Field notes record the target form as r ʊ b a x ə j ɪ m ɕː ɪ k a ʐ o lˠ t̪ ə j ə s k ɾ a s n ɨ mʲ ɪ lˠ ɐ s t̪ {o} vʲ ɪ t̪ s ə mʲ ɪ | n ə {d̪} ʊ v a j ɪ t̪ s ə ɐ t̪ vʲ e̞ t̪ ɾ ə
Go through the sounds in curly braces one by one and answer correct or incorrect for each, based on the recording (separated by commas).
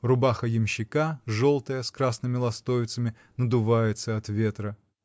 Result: correct, correct